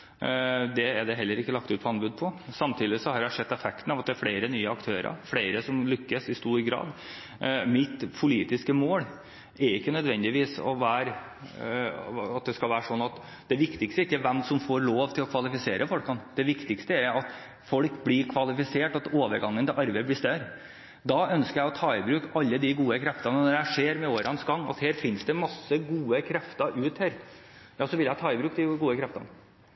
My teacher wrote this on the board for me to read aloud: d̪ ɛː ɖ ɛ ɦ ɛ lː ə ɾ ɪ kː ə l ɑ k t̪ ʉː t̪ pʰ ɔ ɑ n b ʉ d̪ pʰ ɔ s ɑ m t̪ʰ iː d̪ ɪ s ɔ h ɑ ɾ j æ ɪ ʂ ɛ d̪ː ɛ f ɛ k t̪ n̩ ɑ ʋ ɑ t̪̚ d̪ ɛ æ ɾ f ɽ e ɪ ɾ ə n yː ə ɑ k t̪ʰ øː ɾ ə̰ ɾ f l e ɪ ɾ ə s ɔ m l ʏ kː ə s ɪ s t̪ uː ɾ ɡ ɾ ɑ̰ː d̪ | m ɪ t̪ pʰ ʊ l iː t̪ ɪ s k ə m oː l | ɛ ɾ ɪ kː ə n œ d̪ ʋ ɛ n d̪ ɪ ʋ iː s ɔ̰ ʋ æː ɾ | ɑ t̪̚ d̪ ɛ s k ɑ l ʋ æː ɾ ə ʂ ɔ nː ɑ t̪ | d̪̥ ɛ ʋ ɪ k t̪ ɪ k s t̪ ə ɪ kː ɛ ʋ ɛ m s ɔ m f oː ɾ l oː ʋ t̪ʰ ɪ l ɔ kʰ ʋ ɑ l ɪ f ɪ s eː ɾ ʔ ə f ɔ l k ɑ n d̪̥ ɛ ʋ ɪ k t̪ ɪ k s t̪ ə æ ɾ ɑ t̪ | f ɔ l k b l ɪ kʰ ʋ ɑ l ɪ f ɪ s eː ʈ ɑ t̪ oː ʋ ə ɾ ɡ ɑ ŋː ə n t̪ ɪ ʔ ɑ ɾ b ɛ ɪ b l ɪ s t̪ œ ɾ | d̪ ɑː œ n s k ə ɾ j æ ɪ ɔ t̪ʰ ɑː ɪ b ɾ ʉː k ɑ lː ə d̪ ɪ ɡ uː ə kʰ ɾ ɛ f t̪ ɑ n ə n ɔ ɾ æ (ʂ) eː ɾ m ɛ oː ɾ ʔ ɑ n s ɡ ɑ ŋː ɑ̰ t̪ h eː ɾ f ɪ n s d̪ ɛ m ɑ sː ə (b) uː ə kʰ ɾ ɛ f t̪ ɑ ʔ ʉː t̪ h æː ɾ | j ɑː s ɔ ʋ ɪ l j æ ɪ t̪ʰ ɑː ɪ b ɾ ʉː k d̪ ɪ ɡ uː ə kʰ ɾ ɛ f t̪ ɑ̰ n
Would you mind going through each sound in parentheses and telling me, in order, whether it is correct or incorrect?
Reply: correct, incorrect: ɡ

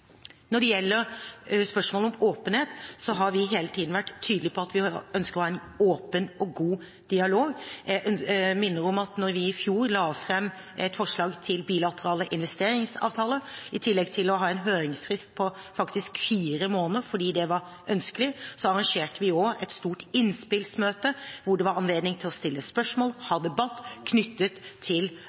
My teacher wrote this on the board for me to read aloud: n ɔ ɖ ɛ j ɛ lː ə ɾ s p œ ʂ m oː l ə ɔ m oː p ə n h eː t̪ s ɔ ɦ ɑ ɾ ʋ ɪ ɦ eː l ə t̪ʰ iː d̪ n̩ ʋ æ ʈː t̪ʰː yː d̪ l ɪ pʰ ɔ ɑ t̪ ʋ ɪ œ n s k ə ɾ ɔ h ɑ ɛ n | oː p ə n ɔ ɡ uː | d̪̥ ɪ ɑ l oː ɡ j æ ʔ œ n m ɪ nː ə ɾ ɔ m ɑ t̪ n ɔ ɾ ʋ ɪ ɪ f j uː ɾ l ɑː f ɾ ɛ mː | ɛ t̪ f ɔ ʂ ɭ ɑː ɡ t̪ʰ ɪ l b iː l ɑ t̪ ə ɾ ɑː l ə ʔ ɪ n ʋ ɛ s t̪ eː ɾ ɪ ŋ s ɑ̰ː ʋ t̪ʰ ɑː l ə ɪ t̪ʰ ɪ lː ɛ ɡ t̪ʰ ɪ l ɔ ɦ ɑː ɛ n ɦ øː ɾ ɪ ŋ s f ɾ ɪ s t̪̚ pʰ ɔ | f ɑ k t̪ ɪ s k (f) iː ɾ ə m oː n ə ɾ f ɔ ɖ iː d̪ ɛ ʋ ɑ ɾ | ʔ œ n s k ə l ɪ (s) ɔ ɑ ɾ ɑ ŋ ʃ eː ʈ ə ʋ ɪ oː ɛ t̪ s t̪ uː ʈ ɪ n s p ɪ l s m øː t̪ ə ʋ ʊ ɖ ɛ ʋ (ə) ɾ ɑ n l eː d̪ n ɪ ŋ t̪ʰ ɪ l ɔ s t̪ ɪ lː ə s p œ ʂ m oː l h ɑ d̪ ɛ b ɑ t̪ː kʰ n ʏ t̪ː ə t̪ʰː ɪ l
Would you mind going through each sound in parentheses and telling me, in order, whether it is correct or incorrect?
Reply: correct, correct, incorrect: ɑ

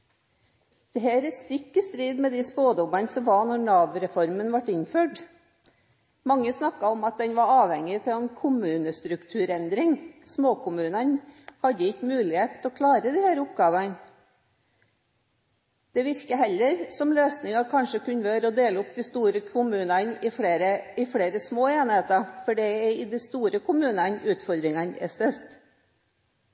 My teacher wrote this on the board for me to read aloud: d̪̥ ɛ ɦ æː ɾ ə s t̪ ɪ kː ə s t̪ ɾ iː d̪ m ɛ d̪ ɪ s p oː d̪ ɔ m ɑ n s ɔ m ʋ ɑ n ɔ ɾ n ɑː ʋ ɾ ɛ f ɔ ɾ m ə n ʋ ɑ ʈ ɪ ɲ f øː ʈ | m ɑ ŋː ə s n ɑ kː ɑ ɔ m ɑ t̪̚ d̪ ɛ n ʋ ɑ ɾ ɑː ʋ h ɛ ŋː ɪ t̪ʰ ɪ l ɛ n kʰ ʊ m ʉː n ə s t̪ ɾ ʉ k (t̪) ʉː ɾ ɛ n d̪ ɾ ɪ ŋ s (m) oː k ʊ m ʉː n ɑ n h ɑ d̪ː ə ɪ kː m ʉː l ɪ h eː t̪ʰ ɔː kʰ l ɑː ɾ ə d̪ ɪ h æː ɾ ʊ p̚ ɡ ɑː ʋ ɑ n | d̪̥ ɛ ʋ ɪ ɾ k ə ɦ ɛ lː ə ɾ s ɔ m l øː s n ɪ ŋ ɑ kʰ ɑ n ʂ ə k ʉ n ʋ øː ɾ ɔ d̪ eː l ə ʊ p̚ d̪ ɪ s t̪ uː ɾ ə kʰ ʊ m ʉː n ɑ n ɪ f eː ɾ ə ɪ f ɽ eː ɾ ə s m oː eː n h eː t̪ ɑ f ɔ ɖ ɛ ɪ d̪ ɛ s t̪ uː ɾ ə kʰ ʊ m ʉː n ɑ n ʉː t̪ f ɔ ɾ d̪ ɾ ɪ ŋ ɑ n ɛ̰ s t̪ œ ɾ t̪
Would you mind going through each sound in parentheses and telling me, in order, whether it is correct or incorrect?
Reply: incorrect: t̪ʰ, correct

